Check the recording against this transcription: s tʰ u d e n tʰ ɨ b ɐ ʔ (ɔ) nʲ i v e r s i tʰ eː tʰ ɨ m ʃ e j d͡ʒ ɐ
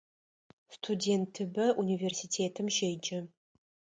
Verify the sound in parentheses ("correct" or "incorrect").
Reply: incorrect